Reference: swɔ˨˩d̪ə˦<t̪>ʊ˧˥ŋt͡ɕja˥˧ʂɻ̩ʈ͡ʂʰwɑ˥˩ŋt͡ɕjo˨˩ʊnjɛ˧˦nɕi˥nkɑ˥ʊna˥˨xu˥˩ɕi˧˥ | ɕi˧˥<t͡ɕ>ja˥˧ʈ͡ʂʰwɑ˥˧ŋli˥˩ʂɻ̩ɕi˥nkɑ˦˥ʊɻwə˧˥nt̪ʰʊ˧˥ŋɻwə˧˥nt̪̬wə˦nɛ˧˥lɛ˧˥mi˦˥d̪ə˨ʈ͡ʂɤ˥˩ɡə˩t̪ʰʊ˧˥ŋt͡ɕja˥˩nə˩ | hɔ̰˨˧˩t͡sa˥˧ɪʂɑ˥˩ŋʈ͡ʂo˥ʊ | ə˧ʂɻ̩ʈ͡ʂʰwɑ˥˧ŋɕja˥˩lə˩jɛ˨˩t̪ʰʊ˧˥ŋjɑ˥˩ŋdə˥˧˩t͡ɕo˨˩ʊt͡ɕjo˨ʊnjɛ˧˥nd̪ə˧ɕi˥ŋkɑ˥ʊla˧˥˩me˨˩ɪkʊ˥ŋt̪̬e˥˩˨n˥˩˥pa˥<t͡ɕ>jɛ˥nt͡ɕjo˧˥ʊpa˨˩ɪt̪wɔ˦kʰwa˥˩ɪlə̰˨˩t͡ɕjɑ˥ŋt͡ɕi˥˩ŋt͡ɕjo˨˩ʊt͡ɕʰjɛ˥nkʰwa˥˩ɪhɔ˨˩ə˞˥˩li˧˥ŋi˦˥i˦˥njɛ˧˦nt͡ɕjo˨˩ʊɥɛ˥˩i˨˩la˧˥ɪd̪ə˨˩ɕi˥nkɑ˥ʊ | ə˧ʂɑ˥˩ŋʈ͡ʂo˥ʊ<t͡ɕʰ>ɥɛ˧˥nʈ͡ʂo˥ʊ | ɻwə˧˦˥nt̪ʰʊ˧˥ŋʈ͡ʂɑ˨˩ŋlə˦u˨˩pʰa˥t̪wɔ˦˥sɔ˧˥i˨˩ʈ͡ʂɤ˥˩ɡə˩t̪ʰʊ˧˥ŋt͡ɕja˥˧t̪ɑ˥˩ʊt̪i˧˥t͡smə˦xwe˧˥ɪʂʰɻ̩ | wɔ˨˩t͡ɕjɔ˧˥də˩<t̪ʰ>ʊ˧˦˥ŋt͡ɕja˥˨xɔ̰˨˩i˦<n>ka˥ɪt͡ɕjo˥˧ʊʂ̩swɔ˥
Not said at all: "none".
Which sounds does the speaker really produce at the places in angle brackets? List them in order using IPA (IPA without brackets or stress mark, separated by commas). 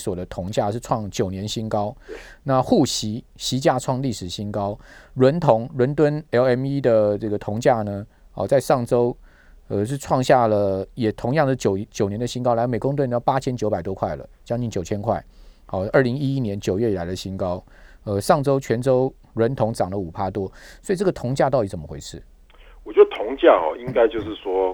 t̪ʰ, t͡ɕ, t͡ɕʰ, t͡ɕʰ, t̪ʰ, ŋ